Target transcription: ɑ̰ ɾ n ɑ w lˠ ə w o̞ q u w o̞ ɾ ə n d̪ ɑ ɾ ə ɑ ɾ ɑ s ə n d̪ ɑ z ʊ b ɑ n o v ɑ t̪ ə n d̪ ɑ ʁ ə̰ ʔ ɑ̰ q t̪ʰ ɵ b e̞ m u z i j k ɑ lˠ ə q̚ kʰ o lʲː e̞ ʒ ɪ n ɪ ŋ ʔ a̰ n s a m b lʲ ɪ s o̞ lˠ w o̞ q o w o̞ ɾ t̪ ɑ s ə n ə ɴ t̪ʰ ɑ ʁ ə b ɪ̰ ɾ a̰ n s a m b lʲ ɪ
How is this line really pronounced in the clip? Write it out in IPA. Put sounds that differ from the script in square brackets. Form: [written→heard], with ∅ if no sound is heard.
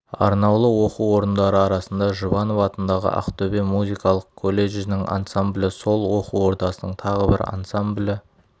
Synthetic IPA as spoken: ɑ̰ ɾ n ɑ w lˠ ə w o̞ q u w o̞ ɾ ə n d̪ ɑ ɾ ə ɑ ɾ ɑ s ə n d̪ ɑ [z→ʒ] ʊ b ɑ n o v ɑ t̪ ə n d̪ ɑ ʁ ə̰ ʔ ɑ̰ q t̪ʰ ɵ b e̞ m u z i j k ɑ lˠ ə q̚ kʰ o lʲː e̞ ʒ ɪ n ɪ ŋ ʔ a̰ n s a m b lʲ ɪ s o̞ lˠ w o̞ q [o→u] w o̞ ɾ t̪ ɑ s ə n ə ɴ t̪ʰ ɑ ʁ ə b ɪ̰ ɾ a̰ n s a m b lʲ ɪ